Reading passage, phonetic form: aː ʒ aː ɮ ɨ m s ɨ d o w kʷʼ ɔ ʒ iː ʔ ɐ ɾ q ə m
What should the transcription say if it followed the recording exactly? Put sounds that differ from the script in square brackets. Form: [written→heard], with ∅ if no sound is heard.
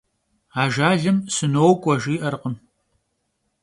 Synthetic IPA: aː ʒ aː ɮ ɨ m s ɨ [d→n] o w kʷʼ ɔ ʒ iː ʔ ɐ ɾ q ə m